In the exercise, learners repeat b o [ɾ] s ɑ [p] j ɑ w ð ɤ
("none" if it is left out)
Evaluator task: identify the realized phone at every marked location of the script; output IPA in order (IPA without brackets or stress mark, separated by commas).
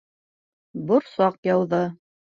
ɾ, q